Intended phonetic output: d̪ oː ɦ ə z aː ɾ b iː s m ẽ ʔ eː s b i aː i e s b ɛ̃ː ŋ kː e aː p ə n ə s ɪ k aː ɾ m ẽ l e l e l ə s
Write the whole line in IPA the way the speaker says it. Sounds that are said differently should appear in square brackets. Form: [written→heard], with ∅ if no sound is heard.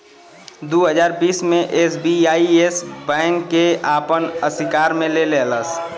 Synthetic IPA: d̪ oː ɦ ə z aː ɾ b iː s m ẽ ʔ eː s b i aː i e s b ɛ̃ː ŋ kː e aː p ə n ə s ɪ k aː ɾ m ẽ l e l e l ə s